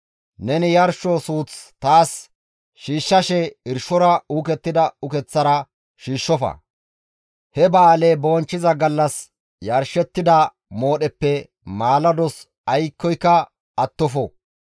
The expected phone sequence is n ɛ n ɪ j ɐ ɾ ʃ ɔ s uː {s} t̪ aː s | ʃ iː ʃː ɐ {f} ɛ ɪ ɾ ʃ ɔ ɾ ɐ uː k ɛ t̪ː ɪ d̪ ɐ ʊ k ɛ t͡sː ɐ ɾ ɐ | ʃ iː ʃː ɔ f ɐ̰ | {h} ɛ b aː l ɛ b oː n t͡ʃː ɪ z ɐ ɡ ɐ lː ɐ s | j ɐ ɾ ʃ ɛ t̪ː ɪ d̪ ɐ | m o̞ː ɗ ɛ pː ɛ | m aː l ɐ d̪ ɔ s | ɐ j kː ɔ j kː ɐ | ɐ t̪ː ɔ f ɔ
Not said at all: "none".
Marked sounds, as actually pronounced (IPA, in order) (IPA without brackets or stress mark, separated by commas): t͡s, ʃ, h